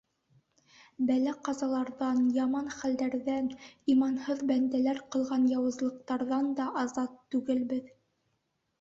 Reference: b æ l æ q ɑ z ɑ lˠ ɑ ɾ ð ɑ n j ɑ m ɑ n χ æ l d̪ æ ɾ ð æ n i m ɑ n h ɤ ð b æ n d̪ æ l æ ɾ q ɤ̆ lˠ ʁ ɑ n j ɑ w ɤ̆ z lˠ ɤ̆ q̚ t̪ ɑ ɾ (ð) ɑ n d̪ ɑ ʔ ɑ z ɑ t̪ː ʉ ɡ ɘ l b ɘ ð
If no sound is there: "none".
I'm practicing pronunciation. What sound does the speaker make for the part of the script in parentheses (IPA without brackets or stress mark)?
ð